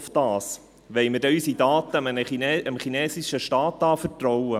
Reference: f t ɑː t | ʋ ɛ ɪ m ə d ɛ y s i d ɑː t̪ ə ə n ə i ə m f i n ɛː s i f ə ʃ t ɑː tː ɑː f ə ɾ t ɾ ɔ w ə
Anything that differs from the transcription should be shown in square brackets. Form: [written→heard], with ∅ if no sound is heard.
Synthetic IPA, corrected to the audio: f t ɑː [t→s] | ʋ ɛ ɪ m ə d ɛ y s i d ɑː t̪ ə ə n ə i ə m [f→χ] i n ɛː s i [f→ʃ] ə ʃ t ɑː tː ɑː f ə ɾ t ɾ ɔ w ə